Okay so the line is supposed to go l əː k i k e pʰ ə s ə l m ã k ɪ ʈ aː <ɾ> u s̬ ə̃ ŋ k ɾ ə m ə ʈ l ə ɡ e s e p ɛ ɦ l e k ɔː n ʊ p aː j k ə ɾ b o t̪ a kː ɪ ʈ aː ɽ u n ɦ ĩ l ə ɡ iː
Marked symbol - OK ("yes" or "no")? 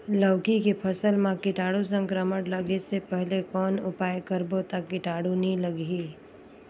no